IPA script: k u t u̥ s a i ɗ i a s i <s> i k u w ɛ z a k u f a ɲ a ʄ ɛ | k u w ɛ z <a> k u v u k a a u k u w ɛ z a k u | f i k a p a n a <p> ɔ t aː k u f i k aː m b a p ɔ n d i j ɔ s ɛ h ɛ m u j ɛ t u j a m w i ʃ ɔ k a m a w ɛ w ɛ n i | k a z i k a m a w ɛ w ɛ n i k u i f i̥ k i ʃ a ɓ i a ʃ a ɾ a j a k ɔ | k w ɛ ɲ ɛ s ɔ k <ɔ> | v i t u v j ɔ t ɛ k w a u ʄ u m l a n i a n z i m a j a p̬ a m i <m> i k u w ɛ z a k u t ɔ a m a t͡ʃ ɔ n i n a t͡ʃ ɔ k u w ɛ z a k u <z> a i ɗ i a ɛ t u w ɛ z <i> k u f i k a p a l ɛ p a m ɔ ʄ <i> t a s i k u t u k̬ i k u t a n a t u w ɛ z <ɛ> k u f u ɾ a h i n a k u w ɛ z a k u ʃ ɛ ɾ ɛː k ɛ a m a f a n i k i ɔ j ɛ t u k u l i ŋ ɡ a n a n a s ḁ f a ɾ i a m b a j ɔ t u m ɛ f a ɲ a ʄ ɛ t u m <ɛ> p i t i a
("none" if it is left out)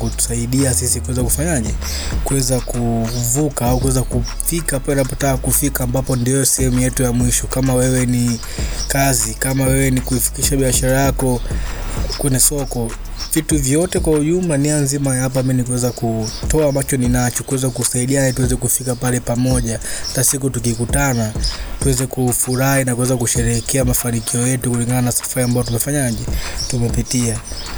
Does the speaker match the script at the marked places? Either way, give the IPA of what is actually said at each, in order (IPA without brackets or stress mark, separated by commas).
s, a, p, ɔ, n, s, ɛ, a, ɛ, ɛ